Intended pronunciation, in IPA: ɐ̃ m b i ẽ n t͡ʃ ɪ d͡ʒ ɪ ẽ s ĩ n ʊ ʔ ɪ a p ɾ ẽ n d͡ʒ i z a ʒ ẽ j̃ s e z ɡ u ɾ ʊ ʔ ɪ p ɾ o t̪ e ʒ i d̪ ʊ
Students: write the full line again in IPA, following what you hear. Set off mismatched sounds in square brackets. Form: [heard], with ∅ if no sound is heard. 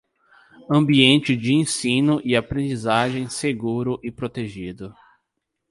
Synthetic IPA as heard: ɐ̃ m b i ẽ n t͡ʃ ɪ d͡ʒ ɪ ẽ s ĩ n ʊ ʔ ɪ a p ɾ ẽ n d͡ʒ i z a ʒ ẽ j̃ s e [∅] ɡ u ɾ ʊ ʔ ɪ p ɾ o t̪ e ʒ i d̪ ʊ